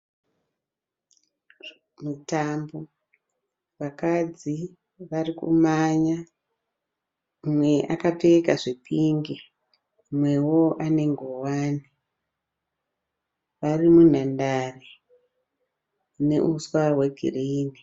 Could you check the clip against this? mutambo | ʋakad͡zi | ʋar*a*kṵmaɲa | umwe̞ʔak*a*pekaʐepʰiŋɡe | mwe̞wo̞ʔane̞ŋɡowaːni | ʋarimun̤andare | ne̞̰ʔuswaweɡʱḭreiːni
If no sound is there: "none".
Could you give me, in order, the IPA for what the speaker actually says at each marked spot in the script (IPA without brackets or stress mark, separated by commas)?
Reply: i, a